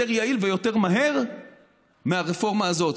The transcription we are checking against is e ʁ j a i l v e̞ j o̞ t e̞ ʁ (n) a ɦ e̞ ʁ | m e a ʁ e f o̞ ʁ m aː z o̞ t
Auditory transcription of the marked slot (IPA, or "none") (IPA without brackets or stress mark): m